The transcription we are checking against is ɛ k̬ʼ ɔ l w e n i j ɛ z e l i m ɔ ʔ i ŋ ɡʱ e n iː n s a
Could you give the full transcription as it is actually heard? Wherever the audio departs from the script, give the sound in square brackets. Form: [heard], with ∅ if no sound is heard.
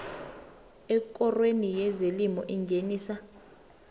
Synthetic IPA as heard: ɛ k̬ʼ ɔ [r] w e n i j ɛ z e l i m ɔ ʔ i ŋ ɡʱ e n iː [∅] s a